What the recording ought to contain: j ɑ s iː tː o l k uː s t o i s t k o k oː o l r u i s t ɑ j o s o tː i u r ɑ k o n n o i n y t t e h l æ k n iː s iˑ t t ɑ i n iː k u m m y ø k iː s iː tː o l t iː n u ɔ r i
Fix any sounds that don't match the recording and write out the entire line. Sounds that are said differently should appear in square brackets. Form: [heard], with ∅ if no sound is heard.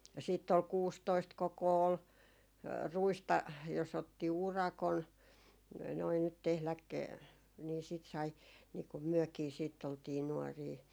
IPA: j ɑ s iː tː o l k uː s t o i s t k o k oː o l r u i s t ɑ j o s o tː i u r ɑ k o n n o i n y t t e h l æ k n iː s iˑ t [s] ɑ i n iː k u m m y ø k iː s iː tː o l t iː n u ɔ r [iː]